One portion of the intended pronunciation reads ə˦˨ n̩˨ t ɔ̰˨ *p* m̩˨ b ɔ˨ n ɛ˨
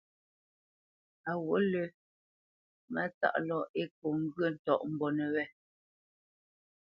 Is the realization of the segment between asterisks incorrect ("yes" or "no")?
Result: yes